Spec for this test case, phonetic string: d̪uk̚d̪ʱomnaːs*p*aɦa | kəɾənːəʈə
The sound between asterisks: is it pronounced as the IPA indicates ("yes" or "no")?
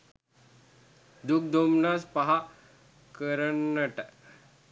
yes